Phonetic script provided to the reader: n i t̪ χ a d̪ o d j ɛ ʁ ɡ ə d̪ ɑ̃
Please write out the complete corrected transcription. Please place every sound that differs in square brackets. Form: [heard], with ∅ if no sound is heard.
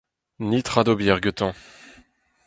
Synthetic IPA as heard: n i t̪ χ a d̪ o [b] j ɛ ʁ ɡ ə [t̪] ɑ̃